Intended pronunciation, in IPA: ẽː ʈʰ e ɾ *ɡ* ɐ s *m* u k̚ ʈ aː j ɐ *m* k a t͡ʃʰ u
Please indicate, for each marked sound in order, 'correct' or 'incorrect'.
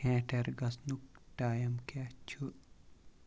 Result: correct, incorrect, correct

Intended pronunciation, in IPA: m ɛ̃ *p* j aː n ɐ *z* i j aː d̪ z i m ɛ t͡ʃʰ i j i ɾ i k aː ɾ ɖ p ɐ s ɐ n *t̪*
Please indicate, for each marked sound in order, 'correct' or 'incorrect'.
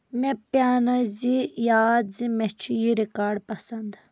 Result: correct, correct, incorrect

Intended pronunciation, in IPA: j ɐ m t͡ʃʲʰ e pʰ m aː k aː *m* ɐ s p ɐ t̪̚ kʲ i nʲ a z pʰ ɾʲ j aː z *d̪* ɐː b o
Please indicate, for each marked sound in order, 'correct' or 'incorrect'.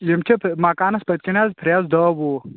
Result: incorrect, correct

